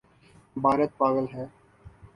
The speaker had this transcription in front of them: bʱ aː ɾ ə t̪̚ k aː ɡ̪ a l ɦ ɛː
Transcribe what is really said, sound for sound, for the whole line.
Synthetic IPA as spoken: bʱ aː ɾ ə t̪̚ p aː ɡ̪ ə l ɦ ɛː